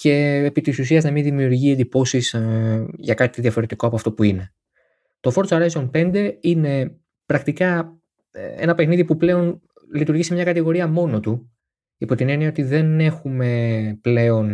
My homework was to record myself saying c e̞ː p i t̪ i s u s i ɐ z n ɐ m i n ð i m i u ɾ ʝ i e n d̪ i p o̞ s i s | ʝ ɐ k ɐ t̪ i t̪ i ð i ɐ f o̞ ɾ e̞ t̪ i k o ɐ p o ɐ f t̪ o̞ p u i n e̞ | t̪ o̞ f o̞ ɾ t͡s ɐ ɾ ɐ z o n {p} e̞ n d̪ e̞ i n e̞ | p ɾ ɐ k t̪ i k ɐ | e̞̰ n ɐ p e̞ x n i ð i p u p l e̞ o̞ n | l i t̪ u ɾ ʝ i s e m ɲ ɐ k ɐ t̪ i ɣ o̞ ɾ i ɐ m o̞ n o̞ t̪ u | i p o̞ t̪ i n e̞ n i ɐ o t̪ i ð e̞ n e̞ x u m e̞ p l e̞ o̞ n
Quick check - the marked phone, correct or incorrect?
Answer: correct